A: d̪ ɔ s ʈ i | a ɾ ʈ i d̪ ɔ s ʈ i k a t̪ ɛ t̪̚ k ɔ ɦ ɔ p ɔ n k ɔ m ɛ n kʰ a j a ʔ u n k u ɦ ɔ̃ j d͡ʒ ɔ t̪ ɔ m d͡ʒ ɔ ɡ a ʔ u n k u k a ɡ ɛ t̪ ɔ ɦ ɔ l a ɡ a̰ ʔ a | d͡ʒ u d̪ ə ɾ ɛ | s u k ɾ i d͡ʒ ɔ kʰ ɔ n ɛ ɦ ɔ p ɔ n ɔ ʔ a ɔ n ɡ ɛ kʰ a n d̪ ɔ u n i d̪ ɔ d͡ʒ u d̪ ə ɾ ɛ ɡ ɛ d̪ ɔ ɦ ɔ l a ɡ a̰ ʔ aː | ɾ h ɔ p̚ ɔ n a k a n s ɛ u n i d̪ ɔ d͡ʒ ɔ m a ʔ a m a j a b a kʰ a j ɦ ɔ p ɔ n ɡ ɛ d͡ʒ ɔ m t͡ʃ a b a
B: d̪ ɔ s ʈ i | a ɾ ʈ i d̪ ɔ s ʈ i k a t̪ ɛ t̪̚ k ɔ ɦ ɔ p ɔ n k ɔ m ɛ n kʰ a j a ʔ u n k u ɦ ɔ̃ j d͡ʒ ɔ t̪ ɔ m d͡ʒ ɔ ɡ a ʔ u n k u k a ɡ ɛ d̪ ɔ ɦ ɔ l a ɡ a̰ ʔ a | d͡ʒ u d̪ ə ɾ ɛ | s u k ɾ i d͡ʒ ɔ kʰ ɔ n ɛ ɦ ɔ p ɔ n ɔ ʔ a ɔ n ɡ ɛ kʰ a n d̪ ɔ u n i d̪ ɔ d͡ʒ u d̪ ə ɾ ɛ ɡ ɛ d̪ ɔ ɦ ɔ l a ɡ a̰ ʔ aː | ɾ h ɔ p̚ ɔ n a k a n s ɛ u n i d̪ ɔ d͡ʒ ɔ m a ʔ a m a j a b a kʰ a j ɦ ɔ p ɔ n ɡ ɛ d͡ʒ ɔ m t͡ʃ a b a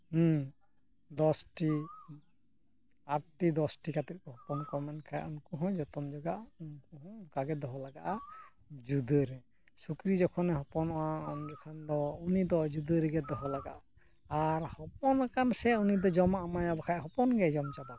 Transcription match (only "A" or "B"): B